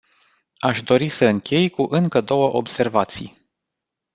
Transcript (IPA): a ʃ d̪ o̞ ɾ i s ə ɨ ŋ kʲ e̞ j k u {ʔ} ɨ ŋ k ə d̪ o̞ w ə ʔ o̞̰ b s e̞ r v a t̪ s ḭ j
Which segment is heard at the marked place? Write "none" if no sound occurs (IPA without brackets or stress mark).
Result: ʔ